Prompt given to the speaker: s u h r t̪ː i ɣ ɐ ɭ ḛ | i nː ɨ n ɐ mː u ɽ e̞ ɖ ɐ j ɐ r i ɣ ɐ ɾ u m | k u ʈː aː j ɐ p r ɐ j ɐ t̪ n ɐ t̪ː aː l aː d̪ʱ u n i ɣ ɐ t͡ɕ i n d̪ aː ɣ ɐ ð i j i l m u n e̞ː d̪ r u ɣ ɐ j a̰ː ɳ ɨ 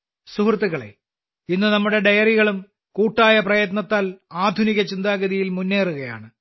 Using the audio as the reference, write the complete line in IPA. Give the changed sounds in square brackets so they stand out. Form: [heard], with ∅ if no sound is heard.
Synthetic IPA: s u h r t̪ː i ɣ ɐ ɭ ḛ | i nː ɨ n ɐ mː u ɽ e̞ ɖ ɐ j ɐ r i ɣ ɐ [ɭ] u m | k [uː] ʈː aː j ɐ p r ɐ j ɐ t̪ n ɐ t̪ː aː l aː d̪ʱ u n i ɣ ɐ t͡ɕ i n d̪ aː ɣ ɐ ð i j i l m u [nː] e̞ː [∅] r u ɣ ɐ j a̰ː ɳ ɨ